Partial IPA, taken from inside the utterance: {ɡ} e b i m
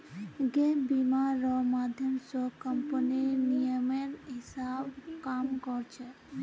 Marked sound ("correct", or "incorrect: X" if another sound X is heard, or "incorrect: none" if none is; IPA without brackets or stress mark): correct